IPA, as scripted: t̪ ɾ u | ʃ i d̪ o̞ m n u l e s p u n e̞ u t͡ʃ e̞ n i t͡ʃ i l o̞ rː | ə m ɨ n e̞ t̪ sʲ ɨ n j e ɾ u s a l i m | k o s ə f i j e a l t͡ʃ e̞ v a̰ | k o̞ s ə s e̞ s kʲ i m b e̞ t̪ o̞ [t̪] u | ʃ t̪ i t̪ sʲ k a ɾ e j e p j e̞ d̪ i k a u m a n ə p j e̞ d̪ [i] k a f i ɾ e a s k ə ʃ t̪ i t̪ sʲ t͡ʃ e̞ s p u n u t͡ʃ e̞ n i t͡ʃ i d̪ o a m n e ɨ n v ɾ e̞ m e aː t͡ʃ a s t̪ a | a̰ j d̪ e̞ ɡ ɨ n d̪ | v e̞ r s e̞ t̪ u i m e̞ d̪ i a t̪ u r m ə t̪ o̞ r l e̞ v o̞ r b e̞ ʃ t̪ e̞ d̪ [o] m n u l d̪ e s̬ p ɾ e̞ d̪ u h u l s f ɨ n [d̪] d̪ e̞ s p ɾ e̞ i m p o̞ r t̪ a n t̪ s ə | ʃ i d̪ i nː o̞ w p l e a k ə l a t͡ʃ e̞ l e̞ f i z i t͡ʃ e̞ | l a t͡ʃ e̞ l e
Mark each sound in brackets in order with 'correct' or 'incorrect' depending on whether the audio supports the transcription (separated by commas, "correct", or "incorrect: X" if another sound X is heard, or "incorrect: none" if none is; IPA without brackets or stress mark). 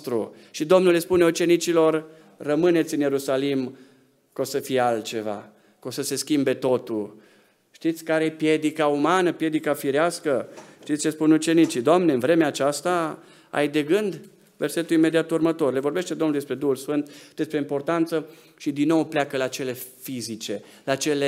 correct, correct, correct, incorrect: t̪